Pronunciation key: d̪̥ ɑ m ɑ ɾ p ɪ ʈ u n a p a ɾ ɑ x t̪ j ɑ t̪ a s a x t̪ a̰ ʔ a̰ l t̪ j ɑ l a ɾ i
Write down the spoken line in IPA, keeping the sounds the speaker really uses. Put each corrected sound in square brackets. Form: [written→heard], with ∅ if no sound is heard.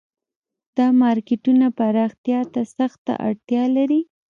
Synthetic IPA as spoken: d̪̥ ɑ m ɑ ɾ [p→k] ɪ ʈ u n a p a ɾ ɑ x t̪ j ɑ t̪ a s a x t̪ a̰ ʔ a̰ [l→ɽ] t̪ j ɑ l a ɾ i

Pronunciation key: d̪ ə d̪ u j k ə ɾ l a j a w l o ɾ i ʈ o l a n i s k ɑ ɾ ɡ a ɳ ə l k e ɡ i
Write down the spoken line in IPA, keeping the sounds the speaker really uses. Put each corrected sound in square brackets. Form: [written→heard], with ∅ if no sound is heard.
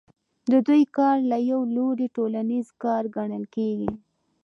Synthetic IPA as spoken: d̪ ə d̪ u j k [ə→ɑ] ɾ l a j a w l o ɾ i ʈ o l a n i [s→z] k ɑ ɾ ɡ a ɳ ə l k e ɡ i

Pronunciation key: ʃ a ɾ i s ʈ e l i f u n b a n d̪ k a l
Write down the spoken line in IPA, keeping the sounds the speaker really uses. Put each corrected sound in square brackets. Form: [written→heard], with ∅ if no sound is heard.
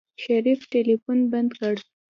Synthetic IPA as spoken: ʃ a ɾ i [s→f] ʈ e l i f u n b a n d̪ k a [l→ɽ]

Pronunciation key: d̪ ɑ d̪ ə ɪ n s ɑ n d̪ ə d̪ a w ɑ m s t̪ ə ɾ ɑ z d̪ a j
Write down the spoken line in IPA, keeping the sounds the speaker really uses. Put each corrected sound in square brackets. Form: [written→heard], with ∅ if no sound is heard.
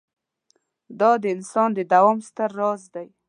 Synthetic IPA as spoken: d̪ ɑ d̪ ə ɪ n s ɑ n d̪ ə d̪ a w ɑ m s t̪ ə [ɾ→ɾː] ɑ z d̪ a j

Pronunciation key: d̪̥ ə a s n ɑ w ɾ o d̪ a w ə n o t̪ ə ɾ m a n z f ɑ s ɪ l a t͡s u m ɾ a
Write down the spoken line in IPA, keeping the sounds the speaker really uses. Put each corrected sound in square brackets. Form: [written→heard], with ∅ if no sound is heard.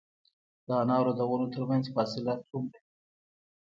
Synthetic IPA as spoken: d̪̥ ə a [s→∅] n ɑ w ɾ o d̪ a w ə n o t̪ ə ɾ m a n z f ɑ s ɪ l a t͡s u m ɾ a

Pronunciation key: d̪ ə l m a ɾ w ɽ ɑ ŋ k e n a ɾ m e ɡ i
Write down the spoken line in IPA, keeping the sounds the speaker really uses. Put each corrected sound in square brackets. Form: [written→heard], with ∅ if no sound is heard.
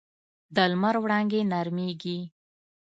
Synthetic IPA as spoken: d̪ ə l m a ɾ w ɽ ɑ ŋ [k→ɡ] e n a ɾ m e ɡ i

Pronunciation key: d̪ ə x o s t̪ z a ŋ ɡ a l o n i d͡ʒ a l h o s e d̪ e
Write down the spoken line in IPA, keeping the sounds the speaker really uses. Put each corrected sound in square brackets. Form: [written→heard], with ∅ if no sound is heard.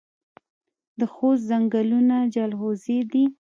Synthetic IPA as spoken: d̪ ə x o s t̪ z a ŋ ɡ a l [o→u] n [i→a] d͡ʒ a l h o [s→z] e d̪ [e→i]

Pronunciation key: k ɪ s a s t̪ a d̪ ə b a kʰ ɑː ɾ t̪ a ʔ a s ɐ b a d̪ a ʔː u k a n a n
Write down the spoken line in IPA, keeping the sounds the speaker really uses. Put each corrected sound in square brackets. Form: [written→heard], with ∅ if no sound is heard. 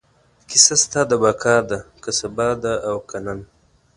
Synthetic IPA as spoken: k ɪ s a s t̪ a d̪ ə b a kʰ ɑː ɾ [t̪→d̪] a [ʔ→k] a s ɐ b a d̪ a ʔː [u→w] k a n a n

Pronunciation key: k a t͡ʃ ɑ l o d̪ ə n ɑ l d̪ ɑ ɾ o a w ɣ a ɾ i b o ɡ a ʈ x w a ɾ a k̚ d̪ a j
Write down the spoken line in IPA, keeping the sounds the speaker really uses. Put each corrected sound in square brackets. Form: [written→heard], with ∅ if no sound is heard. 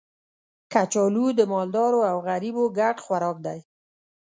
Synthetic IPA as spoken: k a t͡ʃ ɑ l [o→u] d̪ ə [n→m] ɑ l d̪ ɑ ɾ o a w ɣ a ɾ i b o ɡ a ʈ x w a ɾ [a→ɑ] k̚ d̪ a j

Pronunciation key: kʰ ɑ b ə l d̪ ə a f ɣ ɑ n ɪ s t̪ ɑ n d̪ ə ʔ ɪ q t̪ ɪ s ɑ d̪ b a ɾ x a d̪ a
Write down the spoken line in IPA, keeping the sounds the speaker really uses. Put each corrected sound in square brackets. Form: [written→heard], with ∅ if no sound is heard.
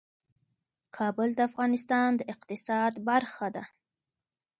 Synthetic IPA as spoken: kʰ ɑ b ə l d̪ ə a f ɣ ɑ n ɪ s t̪ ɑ n d̪ ə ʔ ɪ q t̪ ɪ s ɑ d̪ b a ɾ x a d̪ a

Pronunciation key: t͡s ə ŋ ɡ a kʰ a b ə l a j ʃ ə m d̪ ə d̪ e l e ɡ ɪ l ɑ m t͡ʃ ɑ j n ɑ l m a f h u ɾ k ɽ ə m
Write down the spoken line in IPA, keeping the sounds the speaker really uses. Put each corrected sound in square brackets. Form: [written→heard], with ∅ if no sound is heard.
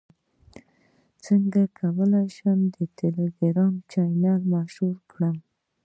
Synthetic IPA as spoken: t͡s ə ŋ ɡ a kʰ a [b→w] ə l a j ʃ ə m d̪ ə [d̪→t̪] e l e ɡ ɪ [l→ɾ] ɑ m t͡ʃ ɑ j n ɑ l m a [f→ʃ] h u ɾ k ɽ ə m

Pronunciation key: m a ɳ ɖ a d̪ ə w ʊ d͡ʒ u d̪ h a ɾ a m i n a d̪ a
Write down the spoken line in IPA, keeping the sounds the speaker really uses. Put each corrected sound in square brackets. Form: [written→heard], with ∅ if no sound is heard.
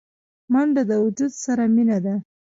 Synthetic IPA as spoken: m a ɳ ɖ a d̪ ə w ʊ d͡ʒ u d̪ [h→s] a ɾ a m i n a d̪ a

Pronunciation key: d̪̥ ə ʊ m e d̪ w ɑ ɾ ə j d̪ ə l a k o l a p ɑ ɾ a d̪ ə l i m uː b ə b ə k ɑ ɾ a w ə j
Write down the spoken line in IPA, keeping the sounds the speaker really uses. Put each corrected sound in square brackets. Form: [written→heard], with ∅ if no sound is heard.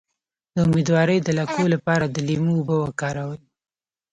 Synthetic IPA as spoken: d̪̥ ə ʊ m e d̪ w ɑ ɾ ə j d̪ ə l a k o l a p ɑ ɾ a d̪ ə l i m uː b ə [b→w] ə k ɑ ɾ a w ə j

